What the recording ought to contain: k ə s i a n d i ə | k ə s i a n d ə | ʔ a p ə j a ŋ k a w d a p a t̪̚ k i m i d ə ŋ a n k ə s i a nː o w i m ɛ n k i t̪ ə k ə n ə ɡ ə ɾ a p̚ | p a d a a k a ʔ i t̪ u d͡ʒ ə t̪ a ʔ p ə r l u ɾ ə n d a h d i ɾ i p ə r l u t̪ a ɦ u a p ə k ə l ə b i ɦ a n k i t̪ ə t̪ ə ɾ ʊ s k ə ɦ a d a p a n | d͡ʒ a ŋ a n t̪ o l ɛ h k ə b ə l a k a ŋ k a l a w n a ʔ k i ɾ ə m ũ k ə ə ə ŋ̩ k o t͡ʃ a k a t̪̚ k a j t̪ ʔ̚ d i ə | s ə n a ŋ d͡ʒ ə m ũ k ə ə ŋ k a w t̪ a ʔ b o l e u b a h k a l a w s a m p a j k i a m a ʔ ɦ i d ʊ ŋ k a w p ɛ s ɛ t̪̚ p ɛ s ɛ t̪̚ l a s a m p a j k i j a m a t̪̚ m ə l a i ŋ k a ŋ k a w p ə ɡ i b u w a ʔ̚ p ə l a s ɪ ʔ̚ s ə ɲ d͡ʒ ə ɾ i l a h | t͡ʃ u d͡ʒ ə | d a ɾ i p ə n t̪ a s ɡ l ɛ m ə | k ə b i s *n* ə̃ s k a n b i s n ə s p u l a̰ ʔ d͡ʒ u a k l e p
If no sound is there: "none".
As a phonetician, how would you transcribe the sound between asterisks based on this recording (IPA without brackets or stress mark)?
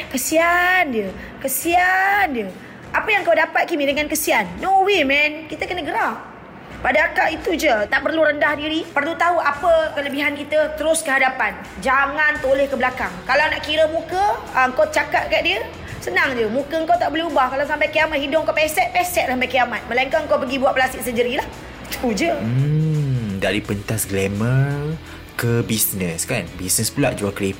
n